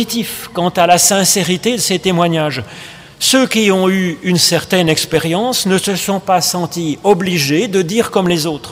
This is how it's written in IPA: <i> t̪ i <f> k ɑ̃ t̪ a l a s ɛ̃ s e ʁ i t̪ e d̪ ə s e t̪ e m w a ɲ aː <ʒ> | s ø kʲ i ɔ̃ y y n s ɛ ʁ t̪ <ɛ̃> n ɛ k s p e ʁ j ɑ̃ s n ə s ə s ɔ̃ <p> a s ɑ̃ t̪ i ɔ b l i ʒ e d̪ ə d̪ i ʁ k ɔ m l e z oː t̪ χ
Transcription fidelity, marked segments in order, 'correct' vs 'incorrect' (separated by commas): correct, correct, correct, incorrect, correct